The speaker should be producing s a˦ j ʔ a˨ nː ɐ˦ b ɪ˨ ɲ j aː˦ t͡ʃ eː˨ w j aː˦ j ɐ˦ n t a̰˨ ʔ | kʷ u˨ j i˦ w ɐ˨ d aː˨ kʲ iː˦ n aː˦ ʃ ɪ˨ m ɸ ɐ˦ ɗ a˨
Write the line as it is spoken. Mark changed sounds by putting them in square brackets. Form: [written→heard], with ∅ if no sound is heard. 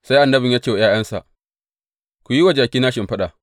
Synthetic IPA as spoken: s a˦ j ʔ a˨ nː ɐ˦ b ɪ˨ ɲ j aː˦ t͡ʃ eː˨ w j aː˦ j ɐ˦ n [t→s] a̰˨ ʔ | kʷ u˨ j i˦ w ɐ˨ [d→d͡ʒ] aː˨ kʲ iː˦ n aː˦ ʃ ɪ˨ m ɸ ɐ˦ ɗ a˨